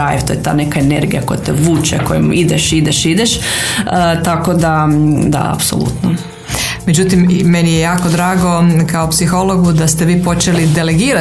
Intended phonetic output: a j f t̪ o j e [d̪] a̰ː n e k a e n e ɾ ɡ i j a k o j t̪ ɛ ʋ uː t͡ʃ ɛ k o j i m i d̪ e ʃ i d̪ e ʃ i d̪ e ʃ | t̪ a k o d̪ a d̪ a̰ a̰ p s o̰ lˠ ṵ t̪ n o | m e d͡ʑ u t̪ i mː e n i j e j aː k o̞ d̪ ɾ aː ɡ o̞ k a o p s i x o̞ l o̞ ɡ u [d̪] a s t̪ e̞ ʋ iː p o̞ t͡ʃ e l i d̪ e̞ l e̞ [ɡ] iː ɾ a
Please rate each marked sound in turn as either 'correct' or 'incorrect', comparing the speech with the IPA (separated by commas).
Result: incorrect, correct, correct